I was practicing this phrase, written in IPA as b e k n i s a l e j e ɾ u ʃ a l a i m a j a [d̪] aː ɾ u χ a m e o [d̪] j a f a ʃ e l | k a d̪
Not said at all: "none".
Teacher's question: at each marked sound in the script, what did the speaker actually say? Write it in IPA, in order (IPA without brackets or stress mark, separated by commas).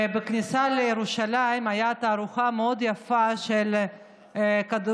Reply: t̪, d̪